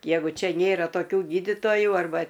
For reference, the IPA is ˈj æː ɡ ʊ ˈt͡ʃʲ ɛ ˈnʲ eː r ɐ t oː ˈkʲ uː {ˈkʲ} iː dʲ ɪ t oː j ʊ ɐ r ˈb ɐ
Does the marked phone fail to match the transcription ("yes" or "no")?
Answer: yes